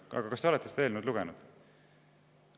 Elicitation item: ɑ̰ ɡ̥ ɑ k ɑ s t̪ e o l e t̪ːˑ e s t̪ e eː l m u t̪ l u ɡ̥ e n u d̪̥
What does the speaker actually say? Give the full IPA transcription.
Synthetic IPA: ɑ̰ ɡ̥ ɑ k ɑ s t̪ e o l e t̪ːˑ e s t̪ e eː l n u d̪ l u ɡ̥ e n u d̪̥